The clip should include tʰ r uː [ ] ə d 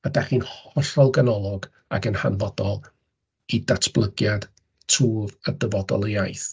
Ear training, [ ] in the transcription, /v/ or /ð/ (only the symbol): v